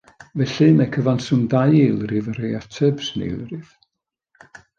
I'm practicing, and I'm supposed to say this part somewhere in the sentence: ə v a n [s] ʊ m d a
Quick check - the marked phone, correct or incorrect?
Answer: correct